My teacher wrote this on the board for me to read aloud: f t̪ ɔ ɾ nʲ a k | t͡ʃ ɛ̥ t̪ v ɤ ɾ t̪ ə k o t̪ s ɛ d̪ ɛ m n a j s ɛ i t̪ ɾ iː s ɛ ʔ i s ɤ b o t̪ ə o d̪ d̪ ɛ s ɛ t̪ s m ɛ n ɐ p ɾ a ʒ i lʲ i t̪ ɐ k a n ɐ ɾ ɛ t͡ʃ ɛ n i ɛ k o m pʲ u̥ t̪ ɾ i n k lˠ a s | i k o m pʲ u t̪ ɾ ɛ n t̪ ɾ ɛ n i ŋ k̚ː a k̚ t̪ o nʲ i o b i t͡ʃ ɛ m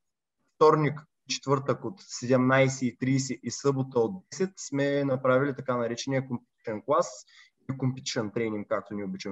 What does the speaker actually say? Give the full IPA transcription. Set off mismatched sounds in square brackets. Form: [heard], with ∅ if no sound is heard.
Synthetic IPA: f t̪ ɔ ɾ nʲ [i] k | t͡ʃ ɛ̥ t̪ v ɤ ɾ t̪ ə k o t̪ s ɛ d̪ ɛ m n a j s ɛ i t̪ ɾ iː s ɛ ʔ i s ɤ b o t̪ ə o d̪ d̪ ɛ s ɛ t̪ s m ɛ n ɐ p ɾ a [v] i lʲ i t̪ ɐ k a n ɐ ɾ ɛ t͡ʃ ɛ n i ɛ k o m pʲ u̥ t̪ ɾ [ɛ] n k lˠ a s | i k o m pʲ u t̪ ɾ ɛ n t̪ ɾ ɛ n i ŋ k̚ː a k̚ t̪ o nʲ i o b i t͡ʃ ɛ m